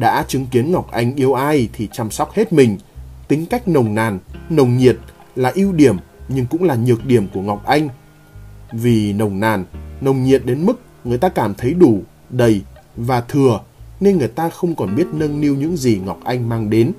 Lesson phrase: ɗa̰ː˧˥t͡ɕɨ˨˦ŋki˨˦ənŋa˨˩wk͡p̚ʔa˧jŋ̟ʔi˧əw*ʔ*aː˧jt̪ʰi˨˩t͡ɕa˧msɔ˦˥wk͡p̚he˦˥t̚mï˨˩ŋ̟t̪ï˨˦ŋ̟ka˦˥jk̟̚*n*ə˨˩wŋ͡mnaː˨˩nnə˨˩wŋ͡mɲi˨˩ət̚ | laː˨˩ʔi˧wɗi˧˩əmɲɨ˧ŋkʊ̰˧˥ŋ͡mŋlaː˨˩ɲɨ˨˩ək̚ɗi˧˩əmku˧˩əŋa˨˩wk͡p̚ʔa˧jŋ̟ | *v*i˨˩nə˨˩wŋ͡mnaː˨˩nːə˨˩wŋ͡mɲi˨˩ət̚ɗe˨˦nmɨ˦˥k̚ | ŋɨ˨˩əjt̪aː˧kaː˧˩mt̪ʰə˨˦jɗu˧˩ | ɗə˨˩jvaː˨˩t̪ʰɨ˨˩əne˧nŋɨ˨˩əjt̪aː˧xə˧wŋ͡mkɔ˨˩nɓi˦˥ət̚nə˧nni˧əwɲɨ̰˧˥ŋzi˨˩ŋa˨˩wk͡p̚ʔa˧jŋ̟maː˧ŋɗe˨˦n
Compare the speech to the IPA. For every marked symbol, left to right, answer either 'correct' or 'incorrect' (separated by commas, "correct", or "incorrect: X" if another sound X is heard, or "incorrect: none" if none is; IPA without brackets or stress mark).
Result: correct, correct, correct